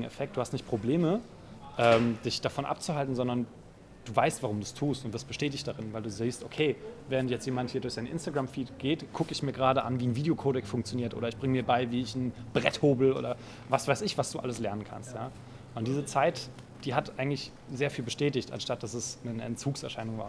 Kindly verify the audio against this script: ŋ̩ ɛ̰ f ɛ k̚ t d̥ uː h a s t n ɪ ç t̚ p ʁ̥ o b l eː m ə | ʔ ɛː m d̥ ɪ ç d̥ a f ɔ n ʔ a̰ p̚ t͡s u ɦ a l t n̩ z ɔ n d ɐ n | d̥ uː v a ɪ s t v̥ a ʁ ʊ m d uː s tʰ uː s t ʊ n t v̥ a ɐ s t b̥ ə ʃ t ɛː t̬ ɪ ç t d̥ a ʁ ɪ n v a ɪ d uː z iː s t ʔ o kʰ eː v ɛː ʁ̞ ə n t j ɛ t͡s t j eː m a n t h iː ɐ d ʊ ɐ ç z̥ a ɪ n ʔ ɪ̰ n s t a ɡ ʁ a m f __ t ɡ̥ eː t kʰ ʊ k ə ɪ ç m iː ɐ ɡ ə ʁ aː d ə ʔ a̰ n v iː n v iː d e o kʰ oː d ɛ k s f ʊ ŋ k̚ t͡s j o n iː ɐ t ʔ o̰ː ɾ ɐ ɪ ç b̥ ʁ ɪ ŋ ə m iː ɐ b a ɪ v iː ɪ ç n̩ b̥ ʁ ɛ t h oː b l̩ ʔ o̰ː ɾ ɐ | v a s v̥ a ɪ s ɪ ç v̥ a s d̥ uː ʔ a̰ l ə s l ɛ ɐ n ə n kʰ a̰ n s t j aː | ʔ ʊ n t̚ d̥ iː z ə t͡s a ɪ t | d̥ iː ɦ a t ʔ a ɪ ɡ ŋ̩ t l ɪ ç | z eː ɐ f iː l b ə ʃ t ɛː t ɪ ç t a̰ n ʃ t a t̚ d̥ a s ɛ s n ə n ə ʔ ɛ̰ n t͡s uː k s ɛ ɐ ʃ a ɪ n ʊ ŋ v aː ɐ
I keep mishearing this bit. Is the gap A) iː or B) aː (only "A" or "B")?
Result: A